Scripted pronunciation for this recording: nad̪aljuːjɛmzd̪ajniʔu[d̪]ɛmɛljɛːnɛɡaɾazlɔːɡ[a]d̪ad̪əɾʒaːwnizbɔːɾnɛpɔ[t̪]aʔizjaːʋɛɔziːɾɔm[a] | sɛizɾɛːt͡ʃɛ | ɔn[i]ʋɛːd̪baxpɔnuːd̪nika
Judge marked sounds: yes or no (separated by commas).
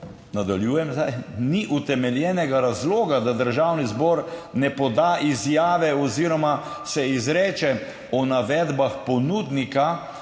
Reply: no, yes, no, yes, no